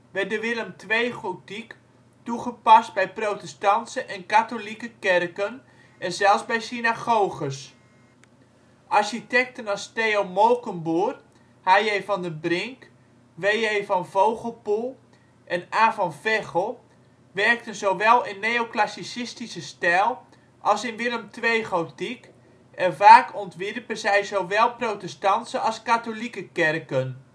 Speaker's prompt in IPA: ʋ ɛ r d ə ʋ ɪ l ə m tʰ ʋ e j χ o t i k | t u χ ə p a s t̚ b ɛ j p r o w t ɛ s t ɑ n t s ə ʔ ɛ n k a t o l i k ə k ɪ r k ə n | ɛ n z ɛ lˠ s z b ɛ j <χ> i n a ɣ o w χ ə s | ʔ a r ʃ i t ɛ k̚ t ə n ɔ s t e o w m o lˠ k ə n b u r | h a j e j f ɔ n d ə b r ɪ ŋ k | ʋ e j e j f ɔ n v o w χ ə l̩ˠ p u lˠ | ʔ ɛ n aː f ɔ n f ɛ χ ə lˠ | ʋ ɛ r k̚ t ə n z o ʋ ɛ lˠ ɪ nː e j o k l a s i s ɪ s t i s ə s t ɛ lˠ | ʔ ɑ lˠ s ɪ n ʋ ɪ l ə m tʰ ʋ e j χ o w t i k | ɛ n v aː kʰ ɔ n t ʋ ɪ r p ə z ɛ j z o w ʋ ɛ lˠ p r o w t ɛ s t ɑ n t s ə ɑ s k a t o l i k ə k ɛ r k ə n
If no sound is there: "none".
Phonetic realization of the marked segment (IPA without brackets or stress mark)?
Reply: s